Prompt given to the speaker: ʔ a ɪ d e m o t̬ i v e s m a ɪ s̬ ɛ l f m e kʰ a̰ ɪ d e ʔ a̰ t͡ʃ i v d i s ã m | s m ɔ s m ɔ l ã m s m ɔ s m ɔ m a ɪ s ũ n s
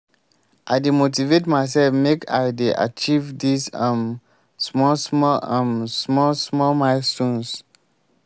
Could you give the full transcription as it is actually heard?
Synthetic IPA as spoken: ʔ a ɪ d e m o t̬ i v e t m a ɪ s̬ ɛ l f m e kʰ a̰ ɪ d e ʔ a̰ t͡ʃ i v d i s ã m | s m ɔ s m ɔ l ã m s m ɔ s m ɔ m a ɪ s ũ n s